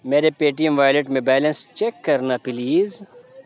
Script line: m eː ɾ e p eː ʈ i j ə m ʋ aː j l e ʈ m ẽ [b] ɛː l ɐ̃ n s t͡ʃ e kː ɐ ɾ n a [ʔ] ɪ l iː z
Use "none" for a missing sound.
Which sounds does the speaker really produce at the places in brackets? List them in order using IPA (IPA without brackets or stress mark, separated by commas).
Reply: b, p